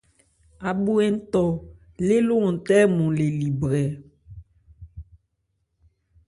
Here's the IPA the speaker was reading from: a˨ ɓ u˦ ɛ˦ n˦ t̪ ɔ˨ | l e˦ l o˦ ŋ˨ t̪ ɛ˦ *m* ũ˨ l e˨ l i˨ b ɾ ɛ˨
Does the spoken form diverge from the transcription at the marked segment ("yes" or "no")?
no